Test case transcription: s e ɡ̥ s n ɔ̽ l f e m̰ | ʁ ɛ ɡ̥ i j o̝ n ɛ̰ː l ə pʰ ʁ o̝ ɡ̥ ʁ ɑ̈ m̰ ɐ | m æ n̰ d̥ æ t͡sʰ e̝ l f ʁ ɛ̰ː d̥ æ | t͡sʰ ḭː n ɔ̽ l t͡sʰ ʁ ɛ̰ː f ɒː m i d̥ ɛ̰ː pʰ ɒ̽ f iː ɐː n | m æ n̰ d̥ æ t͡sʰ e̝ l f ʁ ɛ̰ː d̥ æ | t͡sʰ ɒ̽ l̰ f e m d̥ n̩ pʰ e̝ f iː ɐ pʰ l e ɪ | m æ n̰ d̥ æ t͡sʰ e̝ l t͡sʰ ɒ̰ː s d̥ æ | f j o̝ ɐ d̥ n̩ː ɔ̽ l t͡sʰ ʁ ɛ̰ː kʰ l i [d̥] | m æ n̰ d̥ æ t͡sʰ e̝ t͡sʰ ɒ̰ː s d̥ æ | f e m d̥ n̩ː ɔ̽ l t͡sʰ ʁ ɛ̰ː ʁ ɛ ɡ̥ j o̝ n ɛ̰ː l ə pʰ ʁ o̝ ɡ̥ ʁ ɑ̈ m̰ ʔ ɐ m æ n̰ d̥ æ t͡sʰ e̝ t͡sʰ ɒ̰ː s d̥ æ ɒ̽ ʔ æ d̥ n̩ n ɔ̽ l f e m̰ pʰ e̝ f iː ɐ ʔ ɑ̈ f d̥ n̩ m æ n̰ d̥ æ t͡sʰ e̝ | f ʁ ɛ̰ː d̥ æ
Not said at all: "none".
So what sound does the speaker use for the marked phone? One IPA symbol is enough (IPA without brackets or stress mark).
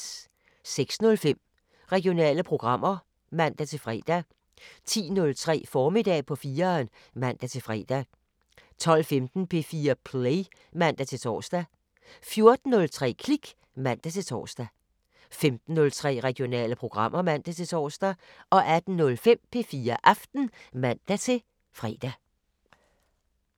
ɡ̥